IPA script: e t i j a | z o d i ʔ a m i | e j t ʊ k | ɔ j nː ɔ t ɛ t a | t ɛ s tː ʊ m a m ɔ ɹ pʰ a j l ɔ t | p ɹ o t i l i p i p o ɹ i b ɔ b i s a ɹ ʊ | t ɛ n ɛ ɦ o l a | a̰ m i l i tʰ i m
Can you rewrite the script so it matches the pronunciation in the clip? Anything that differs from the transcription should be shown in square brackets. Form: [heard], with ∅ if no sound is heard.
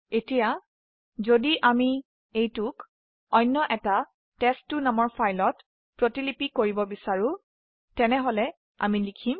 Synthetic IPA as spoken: e t i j a | z o d i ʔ a m i | e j t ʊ k | ɔ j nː ɔ [ʔ] ɛ t a | t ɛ s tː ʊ [n] a m ɔ ɹ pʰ a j l ɔ t | p ɹ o t i l i p i [k] o ɹ i b ɔ b i s a ɹ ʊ | t ɛ n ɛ ɦ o l [ɛ] | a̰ m i l i [kʰ] i m